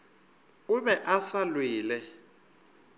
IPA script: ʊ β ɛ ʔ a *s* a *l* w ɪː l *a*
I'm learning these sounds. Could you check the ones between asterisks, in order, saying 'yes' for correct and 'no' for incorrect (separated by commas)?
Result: yes, yes, no